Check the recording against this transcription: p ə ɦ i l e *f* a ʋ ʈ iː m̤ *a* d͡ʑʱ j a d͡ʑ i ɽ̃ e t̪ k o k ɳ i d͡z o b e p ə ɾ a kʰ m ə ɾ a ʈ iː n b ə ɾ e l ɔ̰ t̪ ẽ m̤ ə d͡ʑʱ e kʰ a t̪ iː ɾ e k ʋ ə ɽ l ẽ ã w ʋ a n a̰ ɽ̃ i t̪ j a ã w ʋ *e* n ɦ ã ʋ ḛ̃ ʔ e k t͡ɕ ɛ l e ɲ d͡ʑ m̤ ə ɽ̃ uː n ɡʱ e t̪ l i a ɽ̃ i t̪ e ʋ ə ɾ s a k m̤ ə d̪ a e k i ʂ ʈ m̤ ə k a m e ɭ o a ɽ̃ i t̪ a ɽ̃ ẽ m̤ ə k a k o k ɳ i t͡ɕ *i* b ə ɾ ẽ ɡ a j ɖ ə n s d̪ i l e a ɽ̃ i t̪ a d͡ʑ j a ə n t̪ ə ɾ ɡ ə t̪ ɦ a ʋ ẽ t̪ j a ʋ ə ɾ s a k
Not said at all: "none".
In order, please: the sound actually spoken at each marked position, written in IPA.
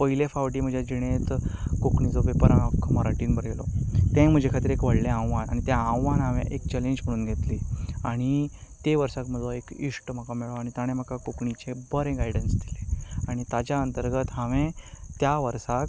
f, ə, a, e

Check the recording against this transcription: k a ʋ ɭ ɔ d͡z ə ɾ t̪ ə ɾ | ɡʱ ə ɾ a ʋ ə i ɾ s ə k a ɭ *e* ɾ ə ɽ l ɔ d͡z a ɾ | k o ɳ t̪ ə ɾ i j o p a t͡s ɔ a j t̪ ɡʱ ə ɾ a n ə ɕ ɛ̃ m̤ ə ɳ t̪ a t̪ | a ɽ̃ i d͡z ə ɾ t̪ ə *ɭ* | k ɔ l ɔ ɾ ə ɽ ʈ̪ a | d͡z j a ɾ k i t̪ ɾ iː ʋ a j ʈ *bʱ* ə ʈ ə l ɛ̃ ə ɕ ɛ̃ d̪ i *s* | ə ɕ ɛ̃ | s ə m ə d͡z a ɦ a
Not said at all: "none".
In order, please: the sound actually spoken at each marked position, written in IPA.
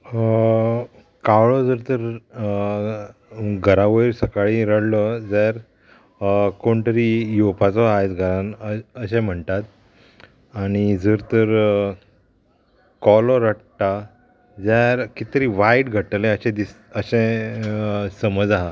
i, ɾ, ɡʱ, s

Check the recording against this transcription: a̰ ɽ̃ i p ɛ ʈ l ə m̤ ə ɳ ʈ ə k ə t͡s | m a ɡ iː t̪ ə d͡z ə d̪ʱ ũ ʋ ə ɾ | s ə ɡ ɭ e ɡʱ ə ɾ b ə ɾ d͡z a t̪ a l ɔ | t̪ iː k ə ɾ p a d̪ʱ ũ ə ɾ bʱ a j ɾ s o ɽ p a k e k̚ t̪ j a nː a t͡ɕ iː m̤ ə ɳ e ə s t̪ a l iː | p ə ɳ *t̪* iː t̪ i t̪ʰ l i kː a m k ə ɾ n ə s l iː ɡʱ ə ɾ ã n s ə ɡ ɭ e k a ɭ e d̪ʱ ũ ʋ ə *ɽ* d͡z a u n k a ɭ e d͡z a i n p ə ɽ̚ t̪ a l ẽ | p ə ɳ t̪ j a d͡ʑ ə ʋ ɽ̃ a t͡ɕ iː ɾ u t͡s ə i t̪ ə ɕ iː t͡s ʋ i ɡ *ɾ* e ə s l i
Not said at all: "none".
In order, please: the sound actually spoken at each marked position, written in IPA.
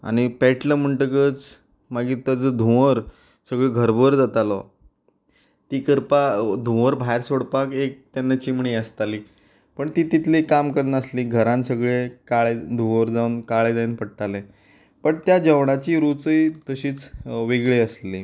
t̪, ɾ, ɭ

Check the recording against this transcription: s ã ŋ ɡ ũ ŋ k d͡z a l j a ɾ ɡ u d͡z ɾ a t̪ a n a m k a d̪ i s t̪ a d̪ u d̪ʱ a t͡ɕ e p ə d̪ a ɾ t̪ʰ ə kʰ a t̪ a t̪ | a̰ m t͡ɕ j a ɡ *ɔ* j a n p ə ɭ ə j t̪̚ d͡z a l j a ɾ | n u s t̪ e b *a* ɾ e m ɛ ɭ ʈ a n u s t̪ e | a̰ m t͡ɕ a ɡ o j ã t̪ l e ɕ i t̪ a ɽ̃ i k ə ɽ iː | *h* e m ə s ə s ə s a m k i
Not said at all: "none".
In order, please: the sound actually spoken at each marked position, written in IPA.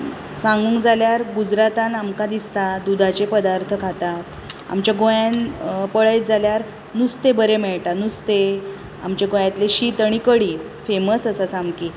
o, ə, f

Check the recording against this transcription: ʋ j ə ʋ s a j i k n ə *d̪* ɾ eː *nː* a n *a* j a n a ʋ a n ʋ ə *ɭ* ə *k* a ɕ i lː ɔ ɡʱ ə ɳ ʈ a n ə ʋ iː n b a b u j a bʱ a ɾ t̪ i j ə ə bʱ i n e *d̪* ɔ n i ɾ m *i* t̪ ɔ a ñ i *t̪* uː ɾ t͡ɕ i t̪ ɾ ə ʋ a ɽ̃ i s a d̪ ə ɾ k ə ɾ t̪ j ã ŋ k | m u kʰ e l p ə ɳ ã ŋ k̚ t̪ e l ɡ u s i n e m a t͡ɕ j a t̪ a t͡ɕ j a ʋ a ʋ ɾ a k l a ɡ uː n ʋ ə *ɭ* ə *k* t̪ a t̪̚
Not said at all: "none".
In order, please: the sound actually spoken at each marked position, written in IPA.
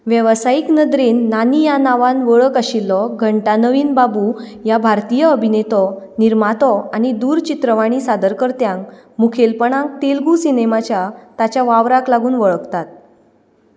d̪, nː, i, ɭ, k, t̪, a, d̪, ɭ, k

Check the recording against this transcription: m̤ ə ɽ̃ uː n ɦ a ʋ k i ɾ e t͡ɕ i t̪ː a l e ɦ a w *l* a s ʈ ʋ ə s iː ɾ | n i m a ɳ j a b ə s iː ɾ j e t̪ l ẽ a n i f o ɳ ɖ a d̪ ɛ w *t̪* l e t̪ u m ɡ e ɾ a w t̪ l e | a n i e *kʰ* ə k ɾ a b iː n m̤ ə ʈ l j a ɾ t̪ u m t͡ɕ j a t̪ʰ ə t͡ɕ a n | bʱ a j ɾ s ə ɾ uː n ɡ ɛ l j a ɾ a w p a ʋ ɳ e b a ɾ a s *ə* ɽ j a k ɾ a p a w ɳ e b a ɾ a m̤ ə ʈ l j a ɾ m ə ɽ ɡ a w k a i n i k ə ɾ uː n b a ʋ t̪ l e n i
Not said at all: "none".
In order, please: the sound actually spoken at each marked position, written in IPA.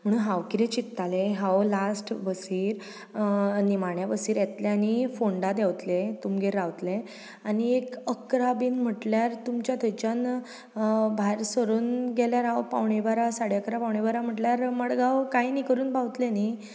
l, t̪, k, a

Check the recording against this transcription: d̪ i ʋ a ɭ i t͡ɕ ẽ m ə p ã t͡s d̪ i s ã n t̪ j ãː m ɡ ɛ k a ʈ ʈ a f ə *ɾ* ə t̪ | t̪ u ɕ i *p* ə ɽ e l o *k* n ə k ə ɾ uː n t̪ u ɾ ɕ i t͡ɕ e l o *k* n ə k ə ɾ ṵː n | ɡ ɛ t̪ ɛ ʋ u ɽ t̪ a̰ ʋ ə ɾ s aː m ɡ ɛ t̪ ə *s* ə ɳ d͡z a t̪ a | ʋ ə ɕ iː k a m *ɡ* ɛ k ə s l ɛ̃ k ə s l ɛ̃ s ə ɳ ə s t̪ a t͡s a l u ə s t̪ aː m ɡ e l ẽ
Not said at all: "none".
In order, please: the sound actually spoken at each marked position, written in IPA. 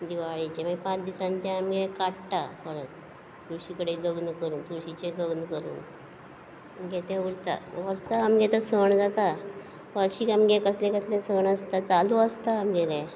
ɾ, k, ɡ, ɡ, s, ɡ

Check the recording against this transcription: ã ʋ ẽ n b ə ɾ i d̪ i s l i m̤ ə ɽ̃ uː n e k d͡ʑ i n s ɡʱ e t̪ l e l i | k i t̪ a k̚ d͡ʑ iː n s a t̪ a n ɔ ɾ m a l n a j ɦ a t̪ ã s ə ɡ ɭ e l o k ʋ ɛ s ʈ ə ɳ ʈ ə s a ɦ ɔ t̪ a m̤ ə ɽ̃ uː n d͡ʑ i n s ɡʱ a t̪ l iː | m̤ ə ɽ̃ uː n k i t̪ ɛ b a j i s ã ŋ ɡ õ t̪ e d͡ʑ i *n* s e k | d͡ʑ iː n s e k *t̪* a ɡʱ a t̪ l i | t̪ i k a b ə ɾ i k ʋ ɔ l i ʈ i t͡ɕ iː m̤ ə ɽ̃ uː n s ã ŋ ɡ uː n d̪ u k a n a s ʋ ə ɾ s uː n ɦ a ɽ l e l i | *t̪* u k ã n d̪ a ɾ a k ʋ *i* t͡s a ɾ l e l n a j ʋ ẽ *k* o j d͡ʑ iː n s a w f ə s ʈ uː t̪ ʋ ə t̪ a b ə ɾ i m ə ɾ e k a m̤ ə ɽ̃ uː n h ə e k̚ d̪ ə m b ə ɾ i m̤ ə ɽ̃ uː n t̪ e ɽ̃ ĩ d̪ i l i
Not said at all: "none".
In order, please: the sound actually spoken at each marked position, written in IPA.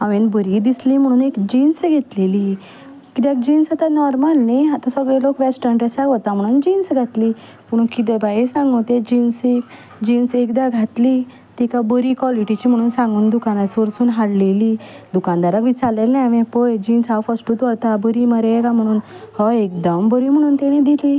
n, d̪, d̪, i, p

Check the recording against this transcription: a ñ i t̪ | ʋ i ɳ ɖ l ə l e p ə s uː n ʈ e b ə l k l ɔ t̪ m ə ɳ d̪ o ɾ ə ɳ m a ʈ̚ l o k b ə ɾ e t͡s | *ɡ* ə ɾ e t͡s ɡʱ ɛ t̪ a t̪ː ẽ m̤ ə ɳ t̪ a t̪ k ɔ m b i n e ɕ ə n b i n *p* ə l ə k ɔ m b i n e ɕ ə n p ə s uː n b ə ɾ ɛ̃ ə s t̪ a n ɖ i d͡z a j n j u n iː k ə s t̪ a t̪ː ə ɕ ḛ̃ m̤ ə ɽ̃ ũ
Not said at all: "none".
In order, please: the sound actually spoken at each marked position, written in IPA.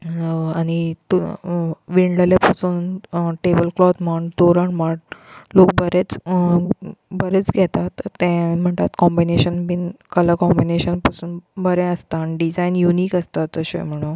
b, k

